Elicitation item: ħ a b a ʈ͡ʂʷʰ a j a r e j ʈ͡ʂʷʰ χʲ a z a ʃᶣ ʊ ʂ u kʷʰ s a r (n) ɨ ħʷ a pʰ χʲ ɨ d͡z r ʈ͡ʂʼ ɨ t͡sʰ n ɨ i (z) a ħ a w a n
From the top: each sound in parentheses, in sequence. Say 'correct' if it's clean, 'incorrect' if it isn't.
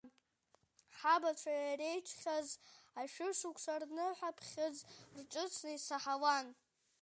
correct, incorrect

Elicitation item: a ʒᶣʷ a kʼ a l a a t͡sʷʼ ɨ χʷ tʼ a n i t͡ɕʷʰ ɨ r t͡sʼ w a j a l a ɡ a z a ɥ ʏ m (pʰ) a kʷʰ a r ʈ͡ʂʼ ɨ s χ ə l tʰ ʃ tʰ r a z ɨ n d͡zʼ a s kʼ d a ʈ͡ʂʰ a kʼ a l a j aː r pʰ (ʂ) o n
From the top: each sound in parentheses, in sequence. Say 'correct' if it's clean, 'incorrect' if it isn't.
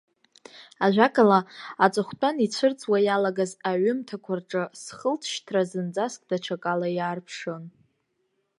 incorrect, correct

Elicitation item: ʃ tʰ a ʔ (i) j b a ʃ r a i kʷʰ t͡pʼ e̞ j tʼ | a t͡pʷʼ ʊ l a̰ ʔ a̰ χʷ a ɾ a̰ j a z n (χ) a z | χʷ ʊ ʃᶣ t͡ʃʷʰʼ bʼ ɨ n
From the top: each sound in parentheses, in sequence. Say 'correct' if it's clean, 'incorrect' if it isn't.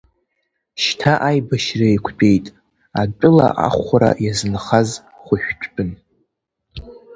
incorrect, correct

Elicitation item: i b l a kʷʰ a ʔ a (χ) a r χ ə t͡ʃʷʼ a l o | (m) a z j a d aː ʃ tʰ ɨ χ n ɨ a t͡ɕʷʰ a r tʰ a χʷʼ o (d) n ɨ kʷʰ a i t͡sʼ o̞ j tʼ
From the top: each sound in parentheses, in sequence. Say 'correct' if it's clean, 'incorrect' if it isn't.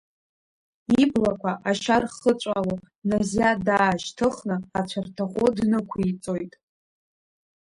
incorrect, incorrect, correct

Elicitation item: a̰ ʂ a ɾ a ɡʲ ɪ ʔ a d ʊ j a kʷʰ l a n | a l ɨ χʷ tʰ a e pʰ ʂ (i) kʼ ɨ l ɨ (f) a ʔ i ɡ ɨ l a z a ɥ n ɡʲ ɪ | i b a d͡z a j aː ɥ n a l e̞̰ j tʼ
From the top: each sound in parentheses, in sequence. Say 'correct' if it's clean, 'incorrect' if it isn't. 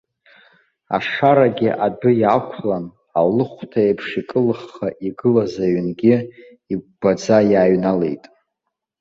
correct, incorrect

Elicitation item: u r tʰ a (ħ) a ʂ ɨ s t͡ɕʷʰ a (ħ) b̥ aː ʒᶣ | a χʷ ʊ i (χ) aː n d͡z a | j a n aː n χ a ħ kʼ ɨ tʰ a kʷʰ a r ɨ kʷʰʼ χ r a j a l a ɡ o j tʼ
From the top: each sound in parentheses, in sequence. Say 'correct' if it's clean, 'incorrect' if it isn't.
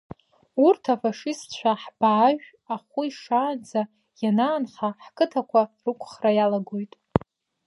incorrect, correct, incorrect

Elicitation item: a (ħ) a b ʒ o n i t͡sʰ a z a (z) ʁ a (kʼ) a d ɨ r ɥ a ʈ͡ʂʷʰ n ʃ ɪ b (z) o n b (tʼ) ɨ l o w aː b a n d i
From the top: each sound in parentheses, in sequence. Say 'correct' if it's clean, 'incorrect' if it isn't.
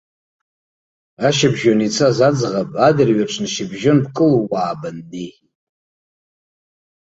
incorrect, incorrect, incorrect, incorrect, incorrect

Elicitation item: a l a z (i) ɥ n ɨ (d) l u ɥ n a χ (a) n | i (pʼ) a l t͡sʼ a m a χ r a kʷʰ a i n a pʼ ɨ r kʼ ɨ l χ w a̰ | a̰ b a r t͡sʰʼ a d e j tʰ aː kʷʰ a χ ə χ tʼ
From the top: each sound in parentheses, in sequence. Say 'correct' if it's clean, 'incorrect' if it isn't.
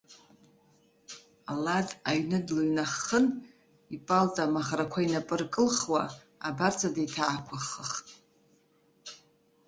incorrect, correct, incorrect, correct

